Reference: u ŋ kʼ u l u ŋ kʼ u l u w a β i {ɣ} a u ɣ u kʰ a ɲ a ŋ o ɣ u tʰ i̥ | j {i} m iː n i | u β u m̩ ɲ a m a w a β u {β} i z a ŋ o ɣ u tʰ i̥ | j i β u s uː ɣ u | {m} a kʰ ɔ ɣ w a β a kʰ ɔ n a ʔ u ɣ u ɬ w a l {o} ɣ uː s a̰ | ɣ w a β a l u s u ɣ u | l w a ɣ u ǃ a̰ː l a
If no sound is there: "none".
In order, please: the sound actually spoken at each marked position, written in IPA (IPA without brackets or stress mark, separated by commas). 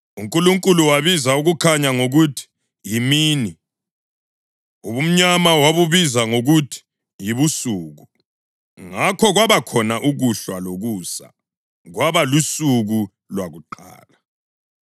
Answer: z, i, β, ŋ, o